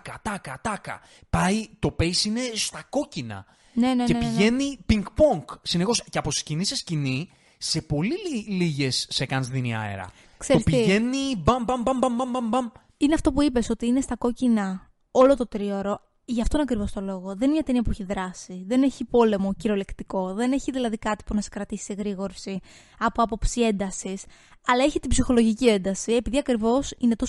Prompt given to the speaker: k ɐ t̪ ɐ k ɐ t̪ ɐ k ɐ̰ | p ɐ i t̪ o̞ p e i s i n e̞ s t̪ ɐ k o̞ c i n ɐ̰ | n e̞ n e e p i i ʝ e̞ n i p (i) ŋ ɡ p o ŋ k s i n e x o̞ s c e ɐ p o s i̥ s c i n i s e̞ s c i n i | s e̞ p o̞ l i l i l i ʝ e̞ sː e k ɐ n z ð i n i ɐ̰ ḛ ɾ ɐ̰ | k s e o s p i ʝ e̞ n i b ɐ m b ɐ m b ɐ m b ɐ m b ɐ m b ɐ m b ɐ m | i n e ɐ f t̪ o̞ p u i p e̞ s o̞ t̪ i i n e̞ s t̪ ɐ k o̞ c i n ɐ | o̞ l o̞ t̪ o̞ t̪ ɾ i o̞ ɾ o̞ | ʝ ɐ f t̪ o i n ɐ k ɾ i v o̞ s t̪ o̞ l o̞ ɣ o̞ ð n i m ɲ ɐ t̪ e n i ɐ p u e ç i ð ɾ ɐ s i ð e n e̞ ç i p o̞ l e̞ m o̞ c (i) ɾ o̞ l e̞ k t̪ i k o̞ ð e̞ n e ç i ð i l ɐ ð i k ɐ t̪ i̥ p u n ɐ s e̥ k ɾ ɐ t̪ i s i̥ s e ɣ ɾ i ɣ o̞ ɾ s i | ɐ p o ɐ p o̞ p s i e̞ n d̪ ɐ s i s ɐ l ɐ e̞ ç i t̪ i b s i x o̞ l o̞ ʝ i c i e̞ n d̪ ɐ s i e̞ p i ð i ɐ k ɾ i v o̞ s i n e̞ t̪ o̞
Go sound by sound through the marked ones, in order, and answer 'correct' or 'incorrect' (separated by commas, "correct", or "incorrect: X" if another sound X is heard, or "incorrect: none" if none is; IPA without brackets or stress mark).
correct, correct